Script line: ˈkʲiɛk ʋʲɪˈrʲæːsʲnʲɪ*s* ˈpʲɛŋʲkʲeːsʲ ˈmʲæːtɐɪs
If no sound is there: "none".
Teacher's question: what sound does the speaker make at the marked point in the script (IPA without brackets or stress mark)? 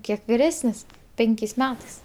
s